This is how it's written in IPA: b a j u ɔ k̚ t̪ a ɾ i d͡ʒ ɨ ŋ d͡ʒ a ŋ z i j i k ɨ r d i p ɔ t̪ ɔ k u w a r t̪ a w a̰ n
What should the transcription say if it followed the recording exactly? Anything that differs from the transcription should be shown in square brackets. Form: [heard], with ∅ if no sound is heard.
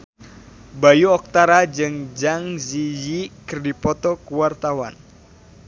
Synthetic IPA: b a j u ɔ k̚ t̪ a ɾ [a] d͡ʒ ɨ ŋ d͡ʒ a ŋ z i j i k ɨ r d i p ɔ t̪ ɔ k u w a r t̪ a w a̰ n